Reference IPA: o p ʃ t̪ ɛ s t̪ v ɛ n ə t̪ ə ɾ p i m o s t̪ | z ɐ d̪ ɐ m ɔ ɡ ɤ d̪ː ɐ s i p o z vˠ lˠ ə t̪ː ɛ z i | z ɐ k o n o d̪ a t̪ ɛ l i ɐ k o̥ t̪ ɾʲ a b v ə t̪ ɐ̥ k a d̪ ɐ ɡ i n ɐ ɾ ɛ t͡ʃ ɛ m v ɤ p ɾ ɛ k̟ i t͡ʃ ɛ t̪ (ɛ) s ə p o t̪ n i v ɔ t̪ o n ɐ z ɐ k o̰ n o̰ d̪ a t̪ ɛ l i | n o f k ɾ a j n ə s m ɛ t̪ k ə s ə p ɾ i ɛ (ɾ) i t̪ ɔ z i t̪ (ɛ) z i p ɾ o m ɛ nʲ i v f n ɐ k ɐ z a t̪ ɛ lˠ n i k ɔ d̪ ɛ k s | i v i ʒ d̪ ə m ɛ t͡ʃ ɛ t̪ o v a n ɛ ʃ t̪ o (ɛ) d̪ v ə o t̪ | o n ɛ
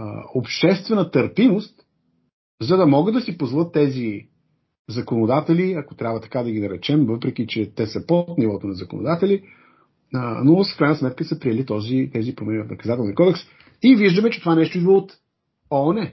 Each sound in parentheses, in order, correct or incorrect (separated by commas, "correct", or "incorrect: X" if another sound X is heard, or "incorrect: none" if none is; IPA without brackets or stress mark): correct, incorrect: l, correct, incorrect: i